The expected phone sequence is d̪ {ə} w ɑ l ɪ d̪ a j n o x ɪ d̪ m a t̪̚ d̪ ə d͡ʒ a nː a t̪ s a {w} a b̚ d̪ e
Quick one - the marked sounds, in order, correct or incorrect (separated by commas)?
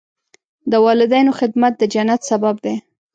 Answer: correct, incorrect